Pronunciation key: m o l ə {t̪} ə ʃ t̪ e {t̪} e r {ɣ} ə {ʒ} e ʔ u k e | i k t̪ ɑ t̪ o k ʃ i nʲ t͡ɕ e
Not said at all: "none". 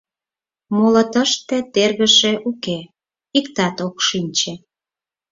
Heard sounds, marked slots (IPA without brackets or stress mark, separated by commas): t̪, t̪, ɣ, ʃ